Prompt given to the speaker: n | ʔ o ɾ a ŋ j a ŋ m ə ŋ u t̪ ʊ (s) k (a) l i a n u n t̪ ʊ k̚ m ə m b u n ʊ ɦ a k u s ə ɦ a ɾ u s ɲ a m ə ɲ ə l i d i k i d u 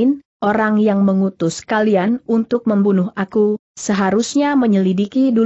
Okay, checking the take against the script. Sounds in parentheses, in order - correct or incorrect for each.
correct, correct

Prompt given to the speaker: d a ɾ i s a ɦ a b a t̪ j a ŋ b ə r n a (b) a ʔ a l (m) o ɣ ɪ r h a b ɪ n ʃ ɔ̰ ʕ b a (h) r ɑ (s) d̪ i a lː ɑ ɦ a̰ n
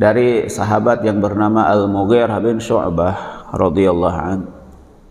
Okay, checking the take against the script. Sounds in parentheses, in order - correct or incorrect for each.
incorrect, correct, correct, incorrect

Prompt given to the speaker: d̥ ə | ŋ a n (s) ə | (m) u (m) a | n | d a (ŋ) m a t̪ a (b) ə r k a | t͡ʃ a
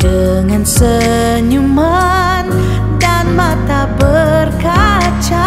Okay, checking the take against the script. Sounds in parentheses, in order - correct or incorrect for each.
correct, incorrect, correct, incorrect, correct

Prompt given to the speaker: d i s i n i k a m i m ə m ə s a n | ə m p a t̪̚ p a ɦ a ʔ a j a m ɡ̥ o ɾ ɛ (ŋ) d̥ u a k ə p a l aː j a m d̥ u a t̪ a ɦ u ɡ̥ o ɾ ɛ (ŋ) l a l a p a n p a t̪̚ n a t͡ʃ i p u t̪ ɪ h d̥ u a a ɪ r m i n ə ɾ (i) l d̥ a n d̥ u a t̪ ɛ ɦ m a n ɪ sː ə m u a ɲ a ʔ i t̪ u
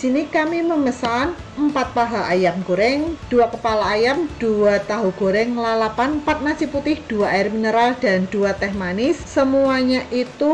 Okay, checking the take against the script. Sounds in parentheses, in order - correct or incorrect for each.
correct, correct, incorrect

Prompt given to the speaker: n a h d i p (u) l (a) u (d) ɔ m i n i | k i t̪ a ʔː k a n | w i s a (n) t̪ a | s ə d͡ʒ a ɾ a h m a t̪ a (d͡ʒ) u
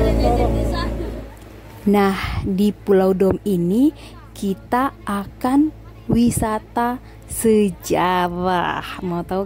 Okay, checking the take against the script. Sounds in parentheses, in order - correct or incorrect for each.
correct, correct, correct, incorrect, incorrect

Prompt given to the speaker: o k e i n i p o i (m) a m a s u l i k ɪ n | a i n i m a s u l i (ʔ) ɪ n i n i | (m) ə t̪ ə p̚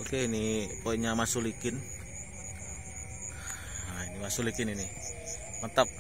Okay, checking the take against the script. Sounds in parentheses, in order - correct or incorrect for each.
incorrect, incorrect, correct

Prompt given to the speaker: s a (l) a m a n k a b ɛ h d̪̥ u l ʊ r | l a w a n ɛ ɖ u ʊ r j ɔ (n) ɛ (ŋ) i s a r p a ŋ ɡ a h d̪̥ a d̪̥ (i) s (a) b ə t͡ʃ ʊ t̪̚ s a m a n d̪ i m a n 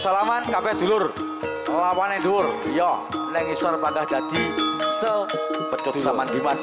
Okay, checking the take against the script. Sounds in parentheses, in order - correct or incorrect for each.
correct, correct, correct, correct, incorrect

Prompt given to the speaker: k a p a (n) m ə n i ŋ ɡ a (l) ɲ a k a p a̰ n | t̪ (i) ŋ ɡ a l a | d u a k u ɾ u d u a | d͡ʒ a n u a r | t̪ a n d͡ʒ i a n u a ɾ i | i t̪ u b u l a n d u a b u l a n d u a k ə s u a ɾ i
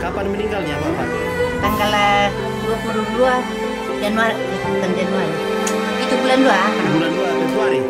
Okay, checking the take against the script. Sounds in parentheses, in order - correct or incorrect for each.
correct, correct, incorrect

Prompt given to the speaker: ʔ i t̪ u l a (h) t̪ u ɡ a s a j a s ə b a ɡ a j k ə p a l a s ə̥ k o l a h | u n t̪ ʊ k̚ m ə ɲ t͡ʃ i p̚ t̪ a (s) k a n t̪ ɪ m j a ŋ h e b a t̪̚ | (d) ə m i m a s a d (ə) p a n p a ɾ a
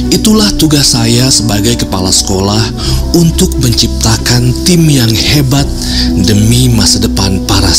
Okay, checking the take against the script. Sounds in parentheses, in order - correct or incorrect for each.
correct, incorrect, correct, correct

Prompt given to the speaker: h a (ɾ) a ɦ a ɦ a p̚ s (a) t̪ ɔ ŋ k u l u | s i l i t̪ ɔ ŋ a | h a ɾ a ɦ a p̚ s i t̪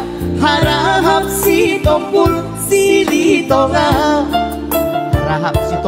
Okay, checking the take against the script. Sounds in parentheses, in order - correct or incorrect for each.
correct, incorrect

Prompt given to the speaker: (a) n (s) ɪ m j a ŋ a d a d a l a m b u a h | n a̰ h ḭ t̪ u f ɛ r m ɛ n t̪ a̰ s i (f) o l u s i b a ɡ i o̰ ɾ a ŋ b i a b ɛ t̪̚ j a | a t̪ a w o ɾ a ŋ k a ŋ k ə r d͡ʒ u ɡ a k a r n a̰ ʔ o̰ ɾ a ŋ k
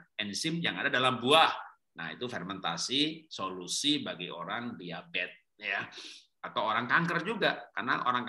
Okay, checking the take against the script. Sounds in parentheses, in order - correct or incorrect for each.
incorrect, correct, incorrect

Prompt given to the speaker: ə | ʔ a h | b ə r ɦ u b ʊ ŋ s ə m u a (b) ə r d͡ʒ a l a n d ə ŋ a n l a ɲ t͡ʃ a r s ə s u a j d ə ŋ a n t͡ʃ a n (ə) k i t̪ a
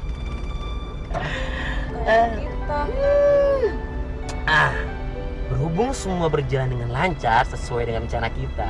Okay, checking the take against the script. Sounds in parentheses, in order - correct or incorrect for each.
correct, incorrect

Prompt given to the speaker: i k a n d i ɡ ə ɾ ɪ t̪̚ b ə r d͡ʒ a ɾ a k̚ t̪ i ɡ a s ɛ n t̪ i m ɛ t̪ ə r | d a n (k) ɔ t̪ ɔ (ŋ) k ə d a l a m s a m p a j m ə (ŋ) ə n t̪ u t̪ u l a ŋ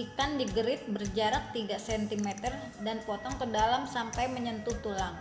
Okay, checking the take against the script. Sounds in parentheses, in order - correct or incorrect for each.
incorrect, correct, incorrect

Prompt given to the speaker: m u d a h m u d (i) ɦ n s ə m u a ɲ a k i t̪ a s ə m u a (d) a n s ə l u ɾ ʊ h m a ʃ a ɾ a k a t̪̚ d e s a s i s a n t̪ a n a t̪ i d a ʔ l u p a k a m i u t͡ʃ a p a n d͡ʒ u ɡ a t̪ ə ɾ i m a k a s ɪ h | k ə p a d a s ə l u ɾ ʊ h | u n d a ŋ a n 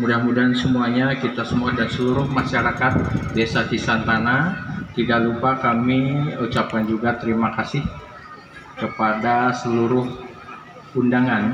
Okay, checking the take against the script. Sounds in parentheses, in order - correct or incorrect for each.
incorrect, correct

